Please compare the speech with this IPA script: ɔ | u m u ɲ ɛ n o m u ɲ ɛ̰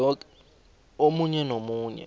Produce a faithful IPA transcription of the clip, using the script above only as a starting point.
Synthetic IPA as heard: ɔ | o m u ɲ ɛ n o m uː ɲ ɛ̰